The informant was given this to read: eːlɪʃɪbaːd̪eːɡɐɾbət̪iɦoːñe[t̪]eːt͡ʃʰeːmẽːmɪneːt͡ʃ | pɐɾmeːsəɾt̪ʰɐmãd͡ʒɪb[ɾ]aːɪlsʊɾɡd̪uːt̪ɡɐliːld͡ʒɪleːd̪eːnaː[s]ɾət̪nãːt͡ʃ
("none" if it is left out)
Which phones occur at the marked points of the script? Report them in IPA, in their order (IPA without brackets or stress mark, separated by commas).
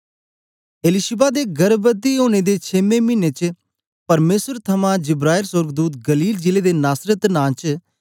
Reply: d̪, ɾ, s